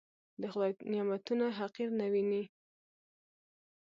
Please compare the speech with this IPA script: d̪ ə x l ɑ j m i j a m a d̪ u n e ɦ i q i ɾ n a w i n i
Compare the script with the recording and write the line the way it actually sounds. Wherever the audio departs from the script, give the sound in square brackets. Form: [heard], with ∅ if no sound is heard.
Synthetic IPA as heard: d̪ ə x l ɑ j [n] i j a m a [t̪] u n [a] ɦ [a] q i ɾ n a w i n i

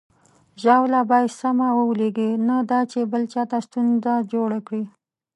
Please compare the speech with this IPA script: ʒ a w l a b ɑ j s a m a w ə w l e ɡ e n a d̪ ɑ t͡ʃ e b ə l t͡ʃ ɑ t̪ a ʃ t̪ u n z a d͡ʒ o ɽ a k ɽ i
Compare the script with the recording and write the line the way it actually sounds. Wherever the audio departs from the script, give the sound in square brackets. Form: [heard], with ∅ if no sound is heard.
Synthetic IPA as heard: ʒ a w l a b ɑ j s a m a w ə w l e ɡ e n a d̪ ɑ t͡ʃ e b ə l t͡ʃ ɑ t̪ a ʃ t̪ u n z a d͡ʒ o ɽ a k ɽ i

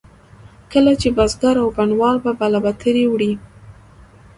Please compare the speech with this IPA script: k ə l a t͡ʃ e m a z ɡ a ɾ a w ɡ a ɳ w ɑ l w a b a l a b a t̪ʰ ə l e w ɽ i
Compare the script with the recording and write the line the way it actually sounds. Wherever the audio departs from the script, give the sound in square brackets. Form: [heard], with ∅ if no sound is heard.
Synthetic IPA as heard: k ə l a t͡ʃ e [b] a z ɡ a ɾ a w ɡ a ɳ w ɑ l [b] a b a l a b a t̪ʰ ə [ɾ] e w ɽ i

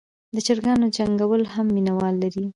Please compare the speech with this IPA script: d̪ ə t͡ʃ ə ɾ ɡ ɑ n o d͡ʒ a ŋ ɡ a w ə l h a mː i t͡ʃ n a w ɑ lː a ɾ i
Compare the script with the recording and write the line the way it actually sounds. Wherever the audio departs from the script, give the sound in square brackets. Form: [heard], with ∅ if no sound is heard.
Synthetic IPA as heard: d̪ ə t͡ʃ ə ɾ ɡ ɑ n o d͡ʒ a ŋ ɡ a w ə l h a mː i [∅] n a w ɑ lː a ɾ i

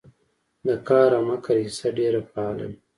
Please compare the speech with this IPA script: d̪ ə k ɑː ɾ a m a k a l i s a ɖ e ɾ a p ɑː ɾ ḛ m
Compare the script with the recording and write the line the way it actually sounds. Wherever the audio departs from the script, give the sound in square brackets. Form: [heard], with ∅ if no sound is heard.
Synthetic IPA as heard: d̪ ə k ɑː ɾ a m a k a [ɾ] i s a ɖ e ɾ a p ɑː [l] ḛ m

